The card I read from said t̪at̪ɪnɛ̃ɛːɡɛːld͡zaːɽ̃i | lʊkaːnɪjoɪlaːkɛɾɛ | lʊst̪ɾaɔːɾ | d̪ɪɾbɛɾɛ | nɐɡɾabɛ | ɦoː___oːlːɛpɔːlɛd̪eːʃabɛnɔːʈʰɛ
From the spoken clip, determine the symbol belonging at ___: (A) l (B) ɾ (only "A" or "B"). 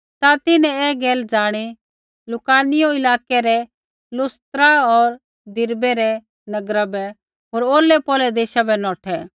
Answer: B